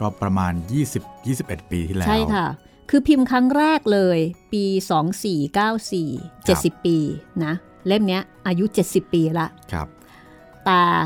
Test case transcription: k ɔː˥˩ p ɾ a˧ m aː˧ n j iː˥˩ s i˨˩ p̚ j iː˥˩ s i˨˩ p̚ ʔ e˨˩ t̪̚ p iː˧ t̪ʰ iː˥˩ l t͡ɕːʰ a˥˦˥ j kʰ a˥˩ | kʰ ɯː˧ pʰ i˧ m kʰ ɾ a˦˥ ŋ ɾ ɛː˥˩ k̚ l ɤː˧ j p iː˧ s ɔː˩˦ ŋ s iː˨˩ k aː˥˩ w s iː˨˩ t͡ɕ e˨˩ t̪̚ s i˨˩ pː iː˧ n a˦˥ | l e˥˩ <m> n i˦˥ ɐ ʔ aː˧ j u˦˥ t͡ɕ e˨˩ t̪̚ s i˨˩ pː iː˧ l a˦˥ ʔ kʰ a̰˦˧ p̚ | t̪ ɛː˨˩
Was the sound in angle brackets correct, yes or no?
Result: yes